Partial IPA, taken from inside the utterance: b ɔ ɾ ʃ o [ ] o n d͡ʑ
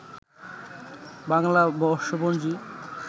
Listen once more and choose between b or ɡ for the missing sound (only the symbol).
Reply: b